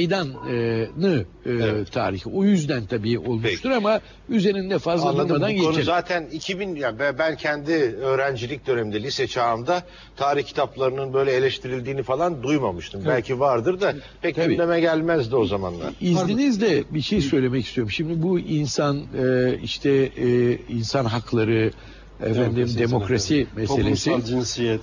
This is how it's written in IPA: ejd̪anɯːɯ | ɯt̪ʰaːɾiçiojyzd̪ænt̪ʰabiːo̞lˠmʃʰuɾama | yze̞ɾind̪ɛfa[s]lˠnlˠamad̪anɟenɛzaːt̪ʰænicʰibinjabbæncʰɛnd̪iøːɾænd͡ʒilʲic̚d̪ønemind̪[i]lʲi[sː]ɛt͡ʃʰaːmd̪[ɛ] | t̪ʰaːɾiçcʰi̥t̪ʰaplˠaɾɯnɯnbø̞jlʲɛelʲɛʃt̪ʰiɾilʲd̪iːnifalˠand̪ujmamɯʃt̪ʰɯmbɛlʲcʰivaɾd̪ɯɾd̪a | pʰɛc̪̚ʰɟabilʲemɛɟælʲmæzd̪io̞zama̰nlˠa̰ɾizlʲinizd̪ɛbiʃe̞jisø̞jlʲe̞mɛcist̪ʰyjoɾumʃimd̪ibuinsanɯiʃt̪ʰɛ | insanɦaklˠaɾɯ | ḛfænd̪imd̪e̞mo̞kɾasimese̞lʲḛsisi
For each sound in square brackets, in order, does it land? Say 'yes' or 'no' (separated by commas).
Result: no, no, no, no